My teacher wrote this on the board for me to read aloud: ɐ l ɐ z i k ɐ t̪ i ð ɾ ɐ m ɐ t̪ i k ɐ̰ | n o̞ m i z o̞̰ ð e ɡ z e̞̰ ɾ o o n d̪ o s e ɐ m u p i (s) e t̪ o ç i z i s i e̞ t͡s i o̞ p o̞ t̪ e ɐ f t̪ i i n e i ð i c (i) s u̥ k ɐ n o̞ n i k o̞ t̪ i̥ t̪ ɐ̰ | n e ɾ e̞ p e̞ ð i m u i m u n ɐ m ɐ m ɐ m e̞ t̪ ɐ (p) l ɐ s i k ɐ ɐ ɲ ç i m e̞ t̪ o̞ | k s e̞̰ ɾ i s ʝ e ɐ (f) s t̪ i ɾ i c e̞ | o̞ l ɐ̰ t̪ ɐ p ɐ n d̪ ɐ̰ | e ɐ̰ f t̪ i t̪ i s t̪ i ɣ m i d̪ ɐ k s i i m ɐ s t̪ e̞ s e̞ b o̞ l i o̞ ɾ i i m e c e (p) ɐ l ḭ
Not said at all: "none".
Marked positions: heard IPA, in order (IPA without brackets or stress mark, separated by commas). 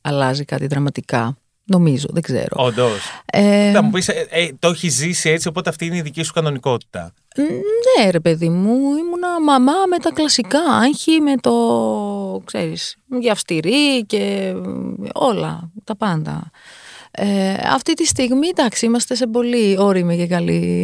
s, i, k, f, k